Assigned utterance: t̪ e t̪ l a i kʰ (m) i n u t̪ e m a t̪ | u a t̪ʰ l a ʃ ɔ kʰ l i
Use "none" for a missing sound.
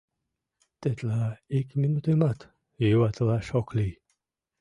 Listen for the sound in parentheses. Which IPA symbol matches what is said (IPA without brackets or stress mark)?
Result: m